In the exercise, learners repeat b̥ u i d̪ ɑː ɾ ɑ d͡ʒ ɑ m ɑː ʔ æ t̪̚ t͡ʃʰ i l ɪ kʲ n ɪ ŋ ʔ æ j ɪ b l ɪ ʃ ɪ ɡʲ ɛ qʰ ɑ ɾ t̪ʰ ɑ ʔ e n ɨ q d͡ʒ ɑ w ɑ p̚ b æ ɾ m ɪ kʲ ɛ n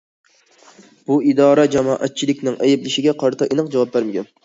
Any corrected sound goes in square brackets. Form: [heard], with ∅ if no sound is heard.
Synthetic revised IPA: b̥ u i d̪ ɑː ɾ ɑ d͡ʒ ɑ m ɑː ʔ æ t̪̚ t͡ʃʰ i l ɪ kʲ n ɪ ŋ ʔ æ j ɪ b l ɪ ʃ ɪ ɡʲ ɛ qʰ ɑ ɾ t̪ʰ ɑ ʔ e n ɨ q d͡ʒ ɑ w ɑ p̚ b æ ɾ m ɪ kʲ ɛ n